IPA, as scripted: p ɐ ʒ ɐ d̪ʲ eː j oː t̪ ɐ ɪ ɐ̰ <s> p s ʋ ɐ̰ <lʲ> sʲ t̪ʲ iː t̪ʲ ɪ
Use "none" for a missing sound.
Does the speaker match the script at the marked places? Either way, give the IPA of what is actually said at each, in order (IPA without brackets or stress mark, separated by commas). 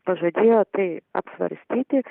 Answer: none, ɾʲ